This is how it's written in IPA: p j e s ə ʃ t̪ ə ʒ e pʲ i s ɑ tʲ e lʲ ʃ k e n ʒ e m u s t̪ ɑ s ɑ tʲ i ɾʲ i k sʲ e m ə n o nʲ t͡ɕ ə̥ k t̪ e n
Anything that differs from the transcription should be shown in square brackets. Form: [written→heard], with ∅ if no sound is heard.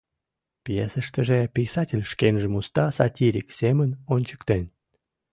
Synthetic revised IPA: p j e s ə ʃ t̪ ə ʒ e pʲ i s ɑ tʲ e lʲ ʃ k e n ʒ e m u s t̪ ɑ s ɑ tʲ i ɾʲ i k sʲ e m ə n o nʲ t͡ɕ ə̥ k t̪ e n